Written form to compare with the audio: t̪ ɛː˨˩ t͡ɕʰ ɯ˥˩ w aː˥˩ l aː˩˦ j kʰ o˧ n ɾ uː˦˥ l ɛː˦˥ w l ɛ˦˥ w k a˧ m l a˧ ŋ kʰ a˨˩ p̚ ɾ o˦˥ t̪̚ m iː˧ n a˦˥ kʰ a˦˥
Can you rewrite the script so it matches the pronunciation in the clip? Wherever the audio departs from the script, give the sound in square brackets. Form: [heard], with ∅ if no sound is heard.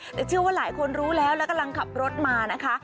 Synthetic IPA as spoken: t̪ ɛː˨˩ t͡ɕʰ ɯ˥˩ w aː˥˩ l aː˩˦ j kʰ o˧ n ɾ uː˦˥ l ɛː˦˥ w l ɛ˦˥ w k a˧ m l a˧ ŋ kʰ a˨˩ p̚ ɾ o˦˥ t̪̚ m [aː˧] n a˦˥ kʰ a˦˥